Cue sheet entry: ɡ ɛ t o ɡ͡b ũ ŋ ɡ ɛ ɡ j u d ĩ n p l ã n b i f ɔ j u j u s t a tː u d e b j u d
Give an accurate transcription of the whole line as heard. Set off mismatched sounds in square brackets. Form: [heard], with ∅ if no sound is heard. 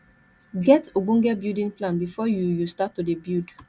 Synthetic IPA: ɡ ɛ t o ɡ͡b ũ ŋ ɡ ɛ [b] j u d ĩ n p l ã n b i f ɔ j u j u s t a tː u d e b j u d